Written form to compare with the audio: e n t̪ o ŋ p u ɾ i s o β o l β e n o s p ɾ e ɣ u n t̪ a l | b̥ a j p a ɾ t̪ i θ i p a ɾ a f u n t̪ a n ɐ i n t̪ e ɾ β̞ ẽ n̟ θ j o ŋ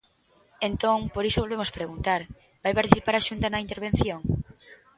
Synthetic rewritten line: e n t̪ o ŋ p o ɾ i s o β o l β e m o s p ɾ e ɣ u n t̪ a ɾ | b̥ a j p a ɾ t̪ i θ i p a ɾ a ʃ u n t̪ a n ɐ i n t̪ e ɾ β̞ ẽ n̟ θ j o ŋ